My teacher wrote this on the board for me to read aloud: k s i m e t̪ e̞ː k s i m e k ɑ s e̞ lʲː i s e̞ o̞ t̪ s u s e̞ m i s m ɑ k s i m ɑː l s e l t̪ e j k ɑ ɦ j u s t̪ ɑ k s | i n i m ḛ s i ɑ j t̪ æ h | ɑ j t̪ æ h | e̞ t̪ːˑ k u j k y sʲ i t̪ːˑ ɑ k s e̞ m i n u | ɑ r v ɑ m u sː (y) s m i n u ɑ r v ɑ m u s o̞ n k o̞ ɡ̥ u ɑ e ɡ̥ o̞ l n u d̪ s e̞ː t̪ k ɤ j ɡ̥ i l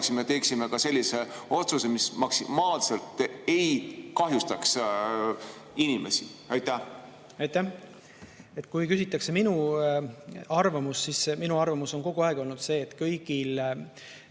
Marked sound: incorrect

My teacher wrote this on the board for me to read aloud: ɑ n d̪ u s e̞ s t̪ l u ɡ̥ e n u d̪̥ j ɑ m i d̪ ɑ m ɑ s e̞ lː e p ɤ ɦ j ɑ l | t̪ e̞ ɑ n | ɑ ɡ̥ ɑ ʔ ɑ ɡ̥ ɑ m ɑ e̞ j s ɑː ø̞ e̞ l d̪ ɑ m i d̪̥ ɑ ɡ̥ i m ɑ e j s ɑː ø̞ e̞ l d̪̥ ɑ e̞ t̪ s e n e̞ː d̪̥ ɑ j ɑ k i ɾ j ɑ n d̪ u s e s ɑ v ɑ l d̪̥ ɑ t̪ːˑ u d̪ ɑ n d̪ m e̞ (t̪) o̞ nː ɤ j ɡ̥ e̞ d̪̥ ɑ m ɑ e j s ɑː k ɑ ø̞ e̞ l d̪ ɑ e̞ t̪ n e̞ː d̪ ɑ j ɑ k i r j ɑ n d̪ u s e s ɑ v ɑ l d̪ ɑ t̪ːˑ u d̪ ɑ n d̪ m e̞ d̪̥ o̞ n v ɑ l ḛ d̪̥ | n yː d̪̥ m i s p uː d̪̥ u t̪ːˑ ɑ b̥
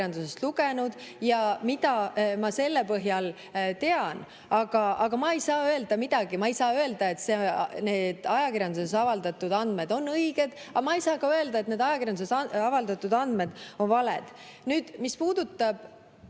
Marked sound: incorrect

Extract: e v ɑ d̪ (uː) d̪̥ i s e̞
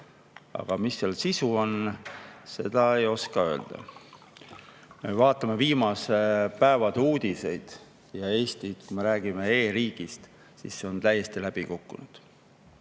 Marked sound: correct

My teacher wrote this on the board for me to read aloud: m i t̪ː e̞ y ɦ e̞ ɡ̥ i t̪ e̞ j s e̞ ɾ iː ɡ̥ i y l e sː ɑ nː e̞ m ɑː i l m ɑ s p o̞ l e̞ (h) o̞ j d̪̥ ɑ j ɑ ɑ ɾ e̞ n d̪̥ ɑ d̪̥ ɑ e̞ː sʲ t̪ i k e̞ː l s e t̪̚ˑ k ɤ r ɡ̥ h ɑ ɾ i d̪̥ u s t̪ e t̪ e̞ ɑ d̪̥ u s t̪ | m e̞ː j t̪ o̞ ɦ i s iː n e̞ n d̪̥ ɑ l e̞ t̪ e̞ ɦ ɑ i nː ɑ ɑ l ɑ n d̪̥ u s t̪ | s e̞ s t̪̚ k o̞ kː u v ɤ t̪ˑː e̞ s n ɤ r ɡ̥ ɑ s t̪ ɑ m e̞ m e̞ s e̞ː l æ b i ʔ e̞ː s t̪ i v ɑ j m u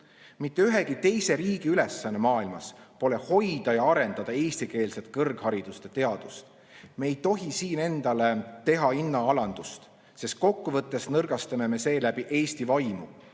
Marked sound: correct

